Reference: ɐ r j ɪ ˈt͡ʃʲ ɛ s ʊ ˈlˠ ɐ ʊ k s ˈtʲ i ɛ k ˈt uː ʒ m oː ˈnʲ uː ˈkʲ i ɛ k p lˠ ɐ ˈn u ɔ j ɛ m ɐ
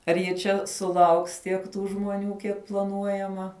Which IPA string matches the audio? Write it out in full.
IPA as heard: ɐ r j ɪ ˈt͡ʃʲ ɛ s ʊ ˈlˠ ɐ ʊ k s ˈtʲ i ɛ k ˈt uː ʒ m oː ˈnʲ uː ˈkʲ i ɛ k p lˠ ɐ ˈn u ɔ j ɛ m ɐ